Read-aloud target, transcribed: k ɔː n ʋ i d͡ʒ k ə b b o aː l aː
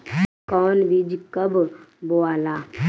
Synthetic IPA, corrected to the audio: k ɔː n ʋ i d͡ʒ k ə b b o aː l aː